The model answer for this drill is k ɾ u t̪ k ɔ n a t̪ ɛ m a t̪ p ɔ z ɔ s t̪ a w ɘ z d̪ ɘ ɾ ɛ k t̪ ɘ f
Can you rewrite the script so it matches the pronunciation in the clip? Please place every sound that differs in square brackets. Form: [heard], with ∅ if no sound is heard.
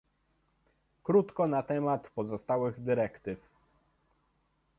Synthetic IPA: k ɾ u t̪ k ɔ n a t̪ ɛ m a t̪ p ɔ z ɔ s t̪ a w ɘ [ɣ] d̪ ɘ ɾ ɛ k t̪ ɘ f